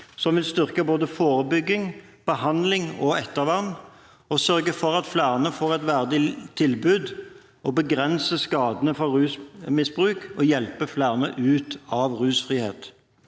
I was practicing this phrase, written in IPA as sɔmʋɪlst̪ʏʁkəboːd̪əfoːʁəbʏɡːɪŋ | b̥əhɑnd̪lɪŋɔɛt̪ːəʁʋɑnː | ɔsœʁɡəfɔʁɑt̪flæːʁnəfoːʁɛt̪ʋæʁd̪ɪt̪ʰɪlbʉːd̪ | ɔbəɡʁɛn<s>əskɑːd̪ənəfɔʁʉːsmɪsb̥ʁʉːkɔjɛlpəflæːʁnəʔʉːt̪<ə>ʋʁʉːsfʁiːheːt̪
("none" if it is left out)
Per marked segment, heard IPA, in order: s, ɑ

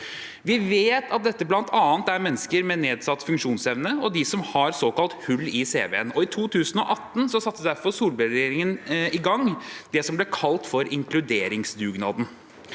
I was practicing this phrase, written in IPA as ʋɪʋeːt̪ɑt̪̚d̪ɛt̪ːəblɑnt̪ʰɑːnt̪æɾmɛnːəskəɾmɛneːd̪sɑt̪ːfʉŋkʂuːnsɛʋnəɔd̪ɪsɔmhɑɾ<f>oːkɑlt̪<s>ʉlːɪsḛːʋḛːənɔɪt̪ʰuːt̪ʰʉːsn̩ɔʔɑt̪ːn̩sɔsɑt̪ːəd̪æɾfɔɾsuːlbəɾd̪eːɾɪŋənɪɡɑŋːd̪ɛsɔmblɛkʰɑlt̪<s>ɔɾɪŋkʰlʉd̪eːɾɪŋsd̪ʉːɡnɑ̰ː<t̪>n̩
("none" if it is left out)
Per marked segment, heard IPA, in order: s, h, f, d̪

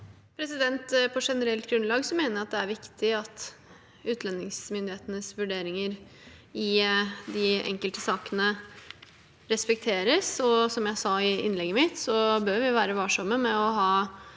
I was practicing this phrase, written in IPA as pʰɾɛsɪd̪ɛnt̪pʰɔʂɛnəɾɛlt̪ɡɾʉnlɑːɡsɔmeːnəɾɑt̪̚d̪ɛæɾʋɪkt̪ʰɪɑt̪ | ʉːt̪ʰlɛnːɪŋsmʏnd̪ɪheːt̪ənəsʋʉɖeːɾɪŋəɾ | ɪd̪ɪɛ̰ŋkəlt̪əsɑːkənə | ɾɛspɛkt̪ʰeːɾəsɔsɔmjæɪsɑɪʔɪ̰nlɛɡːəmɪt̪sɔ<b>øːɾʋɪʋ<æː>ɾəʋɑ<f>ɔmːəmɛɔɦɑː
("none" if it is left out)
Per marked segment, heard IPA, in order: b, æː, ʂ

